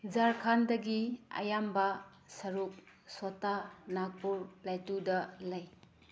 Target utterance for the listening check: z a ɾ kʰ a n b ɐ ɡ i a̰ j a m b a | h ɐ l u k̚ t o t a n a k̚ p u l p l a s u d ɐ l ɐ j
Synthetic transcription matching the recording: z a ɾ kʰ a n d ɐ ɡ i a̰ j a m b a | s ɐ ɾ u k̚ s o t a n a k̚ p u ɾ p l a t u d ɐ l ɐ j